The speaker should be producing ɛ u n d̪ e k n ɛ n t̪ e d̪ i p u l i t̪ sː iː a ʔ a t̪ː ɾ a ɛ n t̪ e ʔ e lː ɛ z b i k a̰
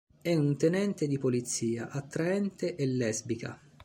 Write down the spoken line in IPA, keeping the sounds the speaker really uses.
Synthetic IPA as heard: ɛ u n t̪ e n ɛ n t̪ e d̪ i p o l i t̪ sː iː a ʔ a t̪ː ɾ a ɛ n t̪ e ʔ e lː ɛ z b i k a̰